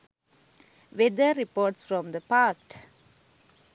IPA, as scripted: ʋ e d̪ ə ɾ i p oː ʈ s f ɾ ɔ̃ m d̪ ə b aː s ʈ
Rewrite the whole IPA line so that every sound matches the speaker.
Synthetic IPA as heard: ʋ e d̪ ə ɾ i p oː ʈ s f ɾ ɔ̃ m d̪ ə p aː s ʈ